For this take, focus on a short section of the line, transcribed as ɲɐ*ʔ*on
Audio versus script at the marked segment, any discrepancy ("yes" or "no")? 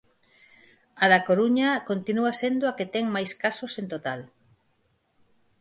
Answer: yes